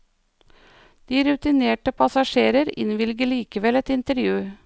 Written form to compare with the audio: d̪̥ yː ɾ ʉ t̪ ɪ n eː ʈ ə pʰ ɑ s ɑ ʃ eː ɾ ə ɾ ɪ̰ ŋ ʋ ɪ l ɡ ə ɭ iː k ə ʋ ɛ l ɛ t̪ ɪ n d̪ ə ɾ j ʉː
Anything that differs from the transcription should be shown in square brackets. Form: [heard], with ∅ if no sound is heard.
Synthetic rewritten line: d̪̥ [iː] ɾ ʉ t̪ ɪ n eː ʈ ə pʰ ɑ s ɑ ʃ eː ɾ ə ɾ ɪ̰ [n] ʋ ɪ l ɡ ə ɭ iː k ə ʋ ɛ l ɛ t̪ ɪ n [t̪] ə ɾ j ʉː

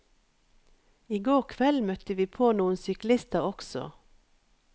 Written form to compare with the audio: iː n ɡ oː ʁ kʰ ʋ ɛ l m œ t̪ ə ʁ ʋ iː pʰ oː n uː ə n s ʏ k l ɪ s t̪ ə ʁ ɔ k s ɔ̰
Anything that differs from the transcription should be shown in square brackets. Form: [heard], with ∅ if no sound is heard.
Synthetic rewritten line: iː [∅] ɡ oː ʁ kʰ ʋ ɛ l m œ t̪ ə [∅] ʋ iː pʰ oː n uː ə n s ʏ k l ɪ s t̪ ə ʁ ɔ k s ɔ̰

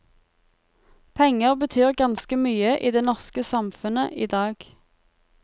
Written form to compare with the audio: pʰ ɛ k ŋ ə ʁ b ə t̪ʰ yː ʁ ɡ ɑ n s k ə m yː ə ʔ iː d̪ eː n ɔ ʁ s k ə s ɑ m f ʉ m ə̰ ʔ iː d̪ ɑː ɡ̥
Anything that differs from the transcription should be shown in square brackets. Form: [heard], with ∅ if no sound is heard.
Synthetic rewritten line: pʰ ɛ [∅] ŋ ə ʁ b ə t̪ʰ yː ʁ ɡ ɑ n s k ə m yː ə ʔ iː d̪ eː n ɔ ʁ s k ə s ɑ m f ʉ [n] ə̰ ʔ iː d̪ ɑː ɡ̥

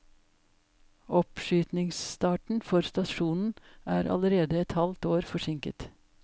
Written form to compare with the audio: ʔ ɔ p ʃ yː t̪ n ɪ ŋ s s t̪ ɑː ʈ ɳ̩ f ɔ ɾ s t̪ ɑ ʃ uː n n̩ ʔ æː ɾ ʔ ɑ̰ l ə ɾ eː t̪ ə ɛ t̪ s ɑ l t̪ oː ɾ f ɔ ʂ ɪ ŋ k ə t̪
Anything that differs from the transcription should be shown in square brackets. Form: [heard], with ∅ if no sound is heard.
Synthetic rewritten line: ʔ ɔ p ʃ yː t̪ n ɪ ŋ s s t̪ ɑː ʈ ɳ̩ f ɔ ɾ s t̪ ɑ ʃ uː n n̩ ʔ æː ɾ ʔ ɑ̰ l ə ɾ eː [d̪] ə ɛ t̪ [h] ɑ l t̪ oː ɾ f ɔ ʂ ɪ ŋ k ə t̪

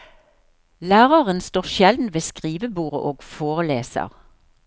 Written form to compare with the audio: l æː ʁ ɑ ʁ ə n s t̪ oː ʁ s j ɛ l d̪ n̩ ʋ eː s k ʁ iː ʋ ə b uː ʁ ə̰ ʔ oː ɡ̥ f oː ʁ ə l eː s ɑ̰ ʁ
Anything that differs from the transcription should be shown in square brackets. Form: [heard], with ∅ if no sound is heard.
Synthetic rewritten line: l æː ʁ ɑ ʁ ə n s t̪ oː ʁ [ʃ] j ɛ l d̪ n̩ ʋ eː s k ʁ iː ʋ ə b uː ʁ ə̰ ʔ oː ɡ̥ f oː ʁ ə l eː s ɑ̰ ʁ

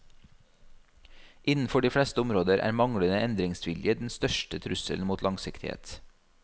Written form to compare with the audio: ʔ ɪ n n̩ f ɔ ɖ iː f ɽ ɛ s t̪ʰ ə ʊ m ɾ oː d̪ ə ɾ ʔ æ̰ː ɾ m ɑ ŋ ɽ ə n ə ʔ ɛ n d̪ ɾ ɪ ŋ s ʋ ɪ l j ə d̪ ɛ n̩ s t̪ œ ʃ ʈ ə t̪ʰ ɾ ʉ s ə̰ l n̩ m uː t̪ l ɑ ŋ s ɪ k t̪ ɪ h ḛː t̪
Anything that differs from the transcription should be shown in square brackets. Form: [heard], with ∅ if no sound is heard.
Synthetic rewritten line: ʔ ɪ n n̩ f ɔ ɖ iː f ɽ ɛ s [t̪] ə ʊ m ɾ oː d̪ ə ɾ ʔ æ̰ː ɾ m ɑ ŋ ɽ ə n ə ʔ ɛ n d̪ ɾ ɪ ŋ s ʋ ɪ l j ə d̪ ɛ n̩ s t̪ œ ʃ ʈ ə t̪ʰ ɾ ʉ s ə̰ l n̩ m uː t̪ l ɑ ŋ s ɪ k t̪ ɪ h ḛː t̪

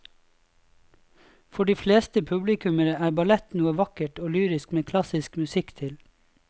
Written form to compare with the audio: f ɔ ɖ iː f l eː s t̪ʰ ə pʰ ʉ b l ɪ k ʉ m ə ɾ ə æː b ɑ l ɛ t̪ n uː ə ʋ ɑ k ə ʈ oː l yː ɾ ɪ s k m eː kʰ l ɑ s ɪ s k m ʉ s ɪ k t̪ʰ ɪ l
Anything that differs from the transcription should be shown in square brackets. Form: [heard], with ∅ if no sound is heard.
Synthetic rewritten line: f ɔ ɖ iː f l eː s [t̪] ə pʰ ʉ b l ɪ k ʉ m ə ɾ ə æː b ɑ l ɛ t̪ n uː ə ʋ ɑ k ə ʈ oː l yː ɾ ɪ s k m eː kʰ l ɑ s ɪ s k m ʉ s ɪ k t̪ʰ ɪ l

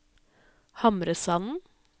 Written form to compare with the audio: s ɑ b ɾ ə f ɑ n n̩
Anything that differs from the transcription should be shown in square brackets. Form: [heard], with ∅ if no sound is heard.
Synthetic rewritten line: [h] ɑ [m] ɾ ə [s] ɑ n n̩

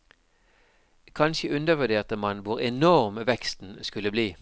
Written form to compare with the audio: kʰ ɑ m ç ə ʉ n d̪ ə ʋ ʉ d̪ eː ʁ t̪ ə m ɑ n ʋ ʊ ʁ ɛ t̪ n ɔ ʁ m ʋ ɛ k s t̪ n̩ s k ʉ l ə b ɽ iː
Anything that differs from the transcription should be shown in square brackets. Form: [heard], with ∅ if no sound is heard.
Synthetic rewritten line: kʰ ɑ [n] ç ə ʉ n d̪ ə ʋ ʉ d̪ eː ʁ t̪ ə m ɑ n ʋ ʊ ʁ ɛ [∅] n ɔ ʁ m ʋ ɛ k s t̪ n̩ s k ʉ l ə b [l] iː

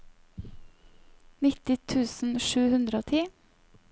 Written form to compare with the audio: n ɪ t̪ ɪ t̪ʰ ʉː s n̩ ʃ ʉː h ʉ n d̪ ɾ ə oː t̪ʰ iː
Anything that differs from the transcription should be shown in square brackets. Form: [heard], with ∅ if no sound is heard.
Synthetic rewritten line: n ɪ t̪ ɪ t̪ʰ ʉː s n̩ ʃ ʉː h ʉ n d̪ ɾ ə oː t̪ʰ iː

